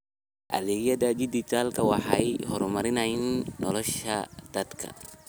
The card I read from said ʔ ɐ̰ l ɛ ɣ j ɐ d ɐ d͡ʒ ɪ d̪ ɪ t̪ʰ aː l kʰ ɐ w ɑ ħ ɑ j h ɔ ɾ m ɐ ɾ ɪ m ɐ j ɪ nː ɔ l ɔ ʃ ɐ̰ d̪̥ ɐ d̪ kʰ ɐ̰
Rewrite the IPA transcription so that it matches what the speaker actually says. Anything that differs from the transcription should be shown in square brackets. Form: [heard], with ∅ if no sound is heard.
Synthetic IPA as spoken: ʔ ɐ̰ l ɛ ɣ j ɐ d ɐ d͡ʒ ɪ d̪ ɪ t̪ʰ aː l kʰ ɐ w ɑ ħ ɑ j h ɔ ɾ m ɐ ɾ ɪ [n] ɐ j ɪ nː ɔ l ɔ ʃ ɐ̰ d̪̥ ɐ d̪ kʰ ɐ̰